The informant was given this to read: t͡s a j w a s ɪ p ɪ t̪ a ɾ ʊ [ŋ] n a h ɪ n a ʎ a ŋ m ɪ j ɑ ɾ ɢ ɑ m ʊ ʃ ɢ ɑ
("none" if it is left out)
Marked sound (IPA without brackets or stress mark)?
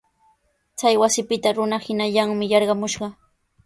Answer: none